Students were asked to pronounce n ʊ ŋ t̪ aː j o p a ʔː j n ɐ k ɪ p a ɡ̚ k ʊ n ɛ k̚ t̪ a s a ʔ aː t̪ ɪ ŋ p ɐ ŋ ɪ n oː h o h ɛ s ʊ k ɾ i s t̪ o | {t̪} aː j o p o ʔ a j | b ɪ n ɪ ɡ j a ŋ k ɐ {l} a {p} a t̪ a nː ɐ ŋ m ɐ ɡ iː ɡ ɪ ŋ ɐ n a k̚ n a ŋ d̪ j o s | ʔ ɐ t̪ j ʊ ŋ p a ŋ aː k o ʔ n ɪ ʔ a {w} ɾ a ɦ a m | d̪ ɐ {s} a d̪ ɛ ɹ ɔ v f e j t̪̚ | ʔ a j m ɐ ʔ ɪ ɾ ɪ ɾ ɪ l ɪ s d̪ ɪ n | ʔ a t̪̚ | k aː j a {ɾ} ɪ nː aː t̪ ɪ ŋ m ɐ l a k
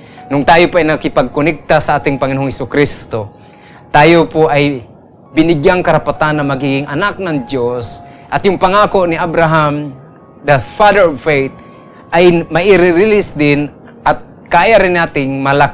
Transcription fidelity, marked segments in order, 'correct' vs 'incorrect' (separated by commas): correct, incorrect, correct, incorrect, incorrect, correct